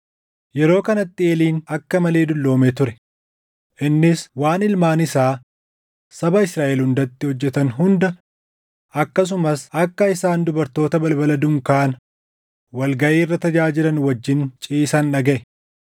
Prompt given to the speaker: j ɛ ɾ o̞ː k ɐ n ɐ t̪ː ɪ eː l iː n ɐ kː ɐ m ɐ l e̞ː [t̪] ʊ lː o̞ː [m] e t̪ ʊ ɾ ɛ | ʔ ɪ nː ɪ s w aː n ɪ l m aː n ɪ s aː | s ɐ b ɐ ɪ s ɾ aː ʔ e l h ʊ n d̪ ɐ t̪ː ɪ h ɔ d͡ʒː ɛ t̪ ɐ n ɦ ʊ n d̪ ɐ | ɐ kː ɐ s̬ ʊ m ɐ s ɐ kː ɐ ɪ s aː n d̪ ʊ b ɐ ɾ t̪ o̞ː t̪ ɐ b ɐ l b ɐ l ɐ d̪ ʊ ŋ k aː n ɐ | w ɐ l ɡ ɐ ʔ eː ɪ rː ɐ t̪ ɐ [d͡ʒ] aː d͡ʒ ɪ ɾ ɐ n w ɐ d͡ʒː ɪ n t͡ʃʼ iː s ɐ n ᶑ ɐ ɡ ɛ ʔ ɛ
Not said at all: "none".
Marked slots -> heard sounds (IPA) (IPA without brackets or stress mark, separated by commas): d̪, m, d͡ʒ